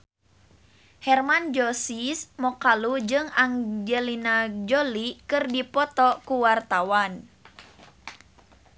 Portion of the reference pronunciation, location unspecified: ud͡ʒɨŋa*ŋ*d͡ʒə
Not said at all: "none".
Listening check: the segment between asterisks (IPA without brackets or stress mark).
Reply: ŋ